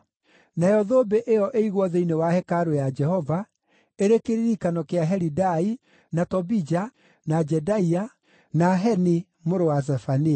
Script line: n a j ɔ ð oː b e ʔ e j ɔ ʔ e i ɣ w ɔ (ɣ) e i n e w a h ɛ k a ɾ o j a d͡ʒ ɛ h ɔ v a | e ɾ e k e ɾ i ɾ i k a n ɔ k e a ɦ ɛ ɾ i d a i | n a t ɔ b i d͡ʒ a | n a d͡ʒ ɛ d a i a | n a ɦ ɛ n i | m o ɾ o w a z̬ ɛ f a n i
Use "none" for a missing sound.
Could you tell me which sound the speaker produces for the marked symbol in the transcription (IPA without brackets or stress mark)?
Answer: ð